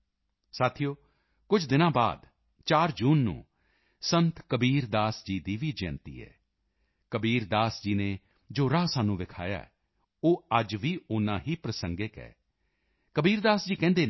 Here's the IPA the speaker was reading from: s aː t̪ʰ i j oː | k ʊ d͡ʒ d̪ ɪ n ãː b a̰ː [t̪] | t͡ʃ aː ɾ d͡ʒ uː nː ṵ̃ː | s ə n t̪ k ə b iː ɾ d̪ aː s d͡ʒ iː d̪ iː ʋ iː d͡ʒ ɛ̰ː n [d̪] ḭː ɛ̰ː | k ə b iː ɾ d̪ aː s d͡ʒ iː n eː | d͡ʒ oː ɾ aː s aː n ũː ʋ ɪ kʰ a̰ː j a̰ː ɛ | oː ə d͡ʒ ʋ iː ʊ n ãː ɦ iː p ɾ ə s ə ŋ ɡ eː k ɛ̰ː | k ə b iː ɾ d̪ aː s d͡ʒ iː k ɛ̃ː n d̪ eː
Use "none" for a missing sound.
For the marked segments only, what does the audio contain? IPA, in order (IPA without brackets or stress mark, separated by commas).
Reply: d̪, t̪